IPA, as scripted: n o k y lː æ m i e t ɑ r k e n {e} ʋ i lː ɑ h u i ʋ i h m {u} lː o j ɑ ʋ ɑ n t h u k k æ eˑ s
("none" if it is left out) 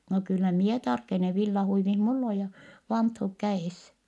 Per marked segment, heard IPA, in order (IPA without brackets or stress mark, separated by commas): e, u